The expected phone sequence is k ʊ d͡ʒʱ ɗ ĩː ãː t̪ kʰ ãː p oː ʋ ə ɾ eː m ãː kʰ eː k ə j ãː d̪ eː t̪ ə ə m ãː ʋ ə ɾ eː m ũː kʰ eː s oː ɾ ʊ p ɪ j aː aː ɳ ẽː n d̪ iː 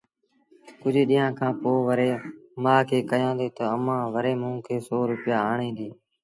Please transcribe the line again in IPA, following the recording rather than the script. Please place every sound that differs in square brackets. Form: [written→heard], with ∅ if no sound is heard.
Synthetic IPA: k ʊ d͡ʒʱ ɗ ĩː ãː [t̪→∅] kʰ ãː p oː ʋ ə ɾ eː m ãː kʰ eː k ə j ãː d̪ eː t̪ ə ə m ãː ʋ ə ɾ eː m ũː kʰ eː s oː ɾ ʊ p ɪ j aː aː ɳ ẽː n d̪ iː